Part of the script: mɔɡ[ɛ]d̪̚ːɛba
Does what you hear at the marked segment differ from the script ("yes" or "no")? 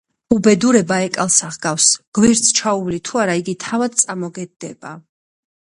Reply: no